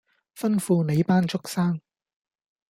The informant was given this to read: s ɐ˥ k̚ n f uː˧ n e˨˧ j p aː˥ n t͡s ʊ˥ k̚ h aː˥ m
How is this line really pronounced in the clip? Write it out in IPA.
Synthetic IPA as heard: f ɐ˥ n f uː˧ n e˨˧ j p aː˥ n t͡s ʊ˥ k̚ s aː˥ ŋ